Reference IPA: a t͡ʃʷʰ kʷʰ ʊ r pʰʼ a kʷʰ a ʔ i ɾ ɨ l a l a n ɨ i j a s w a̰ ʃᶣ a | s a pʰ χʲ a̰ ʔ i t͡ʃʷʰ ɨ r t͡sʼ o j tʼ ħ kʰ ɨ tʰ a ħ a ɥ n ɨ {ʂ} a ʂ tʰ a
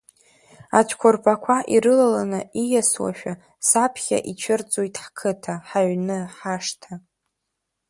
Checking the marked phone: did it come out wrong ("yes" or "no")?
yes